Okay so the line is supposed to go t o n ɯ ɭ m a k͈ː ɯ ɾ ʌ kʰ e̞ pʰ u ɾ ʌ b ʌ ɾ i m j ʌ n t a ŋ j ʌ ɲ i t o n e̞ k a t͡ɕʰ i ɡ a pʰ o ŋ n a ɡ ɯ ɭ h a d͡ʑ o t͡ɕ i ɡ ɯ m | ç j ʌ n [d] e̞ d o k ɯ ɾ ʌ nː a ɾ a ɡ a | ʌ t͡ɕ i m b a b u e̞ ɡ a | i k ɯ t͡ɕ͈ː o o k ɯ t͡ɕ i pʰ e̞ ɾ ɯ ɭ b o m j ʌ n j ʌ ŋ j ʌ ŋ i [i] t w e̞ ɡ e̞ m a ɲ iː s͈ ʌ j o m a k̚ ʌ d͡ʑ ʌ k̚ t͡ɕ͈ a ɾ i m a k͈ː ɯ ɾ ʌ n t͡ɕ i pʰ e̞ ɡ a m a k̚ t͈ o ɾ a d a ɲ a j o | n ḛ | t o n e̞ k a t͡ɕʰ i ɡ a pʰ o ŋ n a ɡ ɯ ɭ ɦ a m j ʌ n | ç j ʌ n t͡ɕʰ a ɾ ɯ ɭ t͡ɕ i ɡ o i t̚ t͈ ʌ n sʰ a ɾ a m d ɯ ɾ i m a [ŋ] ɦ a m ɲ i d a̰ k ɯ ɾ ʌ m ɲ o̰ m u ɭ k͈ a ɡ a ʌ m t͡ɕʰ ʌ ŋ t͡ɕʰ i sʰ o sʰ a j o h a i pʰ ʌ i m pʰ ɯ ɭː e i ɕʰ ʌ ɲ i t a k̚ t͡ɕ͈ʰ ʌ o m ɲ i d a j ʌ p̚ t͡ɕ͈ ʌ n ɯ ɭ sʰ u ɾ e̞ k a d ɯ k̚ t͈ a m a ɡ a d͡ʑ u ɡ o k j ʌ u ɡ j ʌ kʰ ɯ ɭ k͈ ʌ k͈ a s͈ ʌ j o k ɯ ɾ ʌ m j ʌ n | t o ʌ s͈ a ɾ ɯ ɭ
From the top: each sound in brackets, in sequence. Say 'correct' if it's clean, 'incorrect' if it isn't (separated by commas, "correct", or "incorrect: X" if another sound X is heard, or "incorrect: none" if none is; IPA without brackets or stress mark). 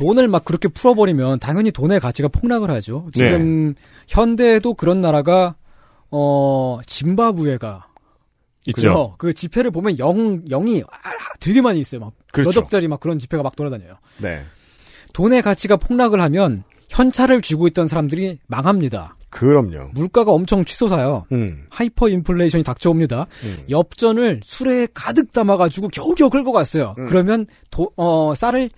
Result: correct, incorrect: a, correct